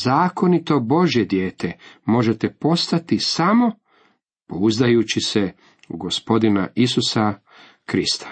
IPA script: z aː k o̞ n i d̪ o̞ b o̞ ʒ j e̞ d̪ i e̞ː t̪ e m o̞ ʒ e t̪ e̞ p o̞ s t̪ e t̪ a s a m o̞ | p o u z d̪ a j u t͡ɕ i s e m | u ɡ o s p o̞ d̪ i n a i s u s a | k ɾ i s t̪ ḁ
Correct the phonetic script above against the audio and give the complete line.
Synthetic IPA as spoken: z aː k o̞ n i t̪ o̞ b o̞ ʒ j e̞ d̪ j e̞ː t̪ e m o̞ ʒ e t̪ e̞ p o̞ s t̪ a t̪ i s a m o̞ | p o u z d̪ a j u t͡ɕ i s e | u ɡ o s p o̞ d̪ i n a i s u s a | k ɾ i s t̪ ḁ